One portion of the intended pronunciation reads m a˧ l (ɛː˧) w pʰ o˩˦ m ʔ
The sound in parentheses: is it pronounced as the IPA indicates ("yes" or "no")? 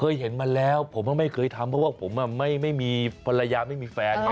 no